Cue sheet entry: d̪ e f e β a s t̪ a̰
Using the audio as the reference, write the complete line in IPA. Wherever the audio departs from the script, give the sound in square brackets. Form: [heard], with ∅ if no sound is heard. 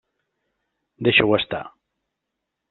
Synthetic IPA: d̪ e [ʃ] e [w] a s t̪ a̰